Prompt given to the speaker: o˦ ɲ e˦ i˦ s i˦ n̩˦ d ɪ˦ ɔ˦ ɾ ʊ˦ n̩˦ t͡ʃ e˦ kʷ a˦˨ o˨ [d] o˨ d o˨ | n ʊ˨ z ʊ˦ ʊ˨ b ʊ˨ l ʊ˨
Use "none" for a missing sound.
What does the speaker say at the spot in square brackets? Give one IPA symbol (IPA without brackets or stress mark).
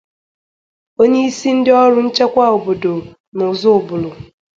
b